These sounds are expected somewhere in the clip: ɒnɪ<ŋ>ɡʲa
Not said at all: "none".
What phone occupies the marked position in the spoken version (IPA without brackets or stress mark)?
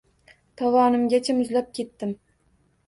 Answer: m